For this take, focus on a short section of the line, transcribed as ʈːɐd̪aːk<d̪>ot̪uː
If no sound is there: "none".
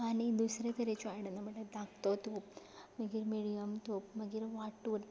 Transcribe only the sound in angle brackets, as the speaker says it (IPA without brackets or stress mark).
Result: t̪